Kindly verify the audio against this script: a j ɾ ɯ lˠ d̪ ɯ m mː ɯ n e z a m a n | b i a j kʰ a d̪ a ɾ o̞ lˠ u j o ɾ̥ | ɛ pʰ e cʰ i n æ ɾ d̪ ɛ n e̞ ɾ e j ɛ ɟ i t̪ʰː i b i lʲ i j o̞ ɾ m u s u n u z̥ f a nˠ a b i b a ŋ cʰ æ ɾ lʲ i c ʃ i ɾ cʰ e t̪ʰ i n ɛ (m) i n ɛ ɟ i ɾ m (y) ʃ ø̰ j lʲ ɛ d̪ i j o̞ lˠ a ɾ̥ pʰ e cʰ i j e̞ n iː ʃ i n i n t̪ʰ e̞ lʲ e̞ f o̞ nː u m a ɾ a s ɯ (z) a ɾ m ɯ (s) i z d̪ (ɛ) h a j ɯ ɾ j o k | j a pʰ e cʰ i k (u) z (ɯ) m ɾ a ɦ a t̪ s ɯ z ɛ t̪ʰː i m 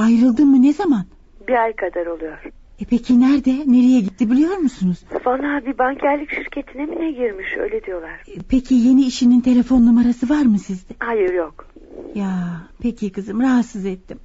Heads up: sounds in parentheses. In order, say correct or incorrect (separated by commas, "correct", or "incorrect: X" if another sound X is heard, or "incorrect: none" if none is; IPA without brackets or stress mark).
correct, incorrect: i, incorrect: v, correct, correct, incorrect: ɯ, correct